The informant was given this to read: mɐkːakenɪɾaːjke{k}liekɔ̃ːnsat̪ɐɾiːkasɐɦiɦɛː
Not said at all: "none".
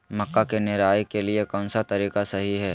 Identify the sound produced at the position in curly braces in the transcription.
none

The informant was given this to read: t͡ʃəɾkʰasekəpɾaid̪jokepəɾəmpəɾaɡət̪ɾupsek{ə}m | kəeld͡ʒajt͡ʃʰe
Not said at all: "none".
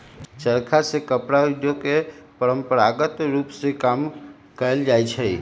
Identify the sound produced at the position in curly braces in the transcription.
a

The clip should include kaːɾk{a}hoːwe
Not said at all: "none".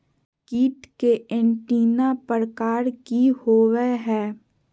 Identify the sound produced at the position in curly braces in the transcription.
i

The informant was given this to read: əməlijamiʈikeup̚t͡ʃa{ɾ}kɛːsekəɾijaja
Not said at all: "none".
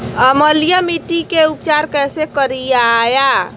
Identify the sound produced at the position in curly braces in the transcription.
ɾ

